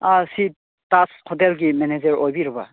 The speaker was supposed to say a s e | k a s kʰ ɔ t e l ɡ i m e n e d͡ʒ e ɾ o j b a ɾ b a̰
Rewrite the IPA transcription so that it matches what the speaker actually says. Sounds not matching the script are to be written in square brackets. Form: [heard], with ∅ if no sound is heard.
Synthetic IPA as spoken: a s [i] | [t] a s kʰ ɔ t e l ɡ i m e n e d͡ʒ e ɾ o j b [i] ɾ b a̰

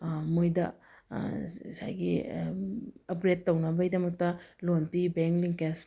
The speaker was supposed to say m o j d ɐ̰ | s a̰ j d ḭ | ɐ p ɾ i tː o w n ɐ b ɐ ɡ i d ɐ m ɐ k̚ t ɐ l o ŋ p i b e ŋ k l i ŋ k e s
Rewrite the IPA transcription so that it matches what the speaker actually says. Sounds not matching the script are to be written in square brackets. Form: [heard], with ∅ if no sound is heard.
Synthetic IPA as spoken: m o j d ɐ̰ | s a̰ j [ɡ] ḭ | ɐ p ɾ [e] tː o w n ɐ b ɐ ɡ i d ɐ m ɐ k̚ t ɐ l o [n] p i b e ŋ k l i ŋ k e s

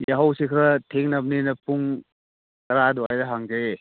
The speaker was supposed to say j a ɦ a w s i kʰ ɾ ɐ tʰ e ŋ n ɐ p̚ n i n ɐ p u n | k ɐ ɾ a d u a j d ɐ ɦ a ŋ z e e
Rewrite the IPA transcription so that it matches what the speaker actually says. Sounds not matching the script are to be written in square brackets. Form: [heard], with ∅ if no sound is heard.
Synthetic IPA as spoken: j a ɦ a w s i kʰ ɾ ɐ tʰ e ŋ n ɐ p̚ n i n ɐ p u [ŋ] | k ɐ ɾ a d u a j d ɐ ɦ a ŋ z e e

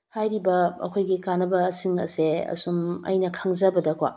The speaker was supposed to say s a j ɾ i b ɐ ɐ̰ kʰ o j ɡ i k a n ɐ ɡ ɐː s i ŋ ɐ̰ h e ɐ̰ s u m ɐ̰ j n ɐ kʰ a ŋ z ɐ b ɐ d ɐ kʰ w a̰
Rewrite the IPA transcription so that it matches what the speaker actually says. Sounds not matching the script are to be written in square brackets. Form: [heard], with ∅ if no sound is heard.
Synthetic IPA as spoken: [h] a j ɾ i b ɐ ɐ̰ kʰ o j ɡ i k a n ɐ [b] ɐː s i ŋ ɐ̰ [s] e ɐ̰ s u m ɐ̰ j n ɐ kʰ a ŋ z ɐ b ɐ d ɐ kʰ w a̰

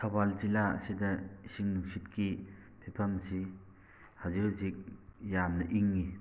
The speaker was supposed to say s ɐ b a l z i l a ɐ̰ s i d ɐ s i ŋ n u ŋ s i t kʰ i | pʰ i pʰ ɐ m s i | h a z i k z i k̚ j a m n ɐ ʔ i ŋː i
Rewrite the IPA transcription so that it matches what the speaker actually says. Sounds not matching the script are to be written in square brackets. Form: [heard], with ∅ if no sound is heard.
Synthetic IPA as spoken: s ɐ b a l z i l a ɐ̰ s i d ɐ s i ŋ n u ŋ s i t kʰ i | pʰ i pʰ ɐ m s i | h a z i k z i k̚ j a m n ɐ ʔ i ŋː i

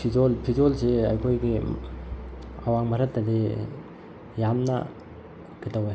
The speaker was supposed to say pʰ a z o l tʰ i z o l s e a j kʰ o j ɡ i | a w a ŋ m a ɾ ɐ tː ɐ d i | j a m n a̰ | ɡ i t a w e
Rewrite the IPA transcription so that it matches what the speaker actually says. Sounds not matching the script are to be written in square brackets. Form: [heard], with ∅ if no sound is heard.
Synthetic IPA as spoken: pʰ [i] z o l [pʰ] i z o l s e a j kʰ o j ɡ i | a w a ŋ m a ɾ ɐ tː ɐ d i | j a m n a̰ | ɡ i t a w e

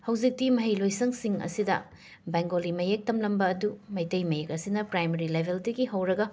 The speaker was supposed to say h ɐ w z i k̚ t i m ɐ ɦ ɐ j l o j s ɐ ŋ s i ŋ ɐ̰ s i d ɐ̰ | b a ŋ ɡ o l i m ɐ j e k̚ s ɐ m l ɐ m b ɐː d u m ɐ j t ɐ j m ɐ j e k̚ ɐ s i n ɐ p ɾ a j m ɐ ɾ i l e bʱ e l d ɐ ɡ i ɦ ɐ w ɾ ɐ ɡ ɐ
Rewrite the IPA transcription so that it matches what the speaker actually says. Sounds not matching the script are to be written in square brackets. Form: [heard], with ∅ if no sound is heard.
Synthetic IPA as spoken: h ɐ w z i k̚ t i m ɐ ɦ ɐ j l o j s ɐ ŋ s i ŋ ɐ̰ s i d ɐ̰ | b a ŋ ɡ o l i m ɐ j e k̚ [t] ɐ m l ɐ m b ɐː d u m ɐ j t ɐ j m ɐ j e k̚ ɐ s i n ɐ p ɾ a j m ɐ ɾ i l e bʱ e l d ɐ ɡ i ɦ ɐ w ɾ ɐ ɡ ɐ

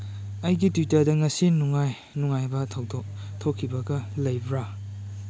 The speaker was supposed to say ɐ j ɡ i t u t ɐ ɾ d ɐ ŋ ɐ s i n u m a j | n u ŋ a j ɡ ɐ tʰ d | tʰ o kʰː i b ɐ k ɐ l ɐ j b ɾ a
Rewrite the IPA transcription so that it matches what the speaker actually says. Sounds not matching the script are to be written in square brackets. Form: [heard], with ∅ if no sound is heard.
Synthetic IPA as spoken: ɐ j ɡ i t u t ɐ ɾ d ɐ ŋ ɐ s i n u [ŋ] a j | n u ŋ a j [b] ɐ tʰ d | tʰ o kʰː i b ɐ [ɡ] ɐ l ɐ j b ɾ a

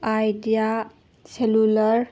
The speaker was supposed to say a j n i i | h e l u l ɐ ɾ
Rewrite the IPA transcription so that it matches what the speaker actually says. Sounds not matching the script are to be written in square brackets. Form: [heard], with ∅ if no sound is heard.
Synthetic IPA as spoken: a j [d] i [a] | [s] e l u l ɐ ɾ

